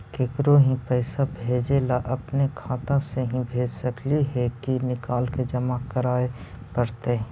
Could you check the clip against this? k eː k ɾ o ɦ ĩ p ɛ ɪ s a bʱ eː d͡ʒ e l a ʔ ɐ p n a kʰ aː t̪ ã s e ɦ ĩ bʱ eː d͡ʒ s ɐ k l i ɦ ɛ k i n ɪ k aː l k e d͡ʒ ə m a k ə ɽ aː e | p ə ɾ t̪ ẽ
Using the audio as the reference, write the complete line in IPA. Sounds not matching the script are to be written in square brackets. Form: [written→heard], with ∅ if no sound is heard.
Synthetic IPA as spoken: k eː k ɾ o ɦ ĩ p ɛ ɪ s a bʱ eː d͡ʒ e l a ʔ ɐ p n [a→e] kʰ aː t̪ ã s e ɦ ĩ bʱ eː d͡ʒ s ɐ k l i ɦ ɛ k i n ɪ k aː l k e d͡ʒ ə m a k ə [ɽ→ɾ] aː e | p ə ɾ t̪ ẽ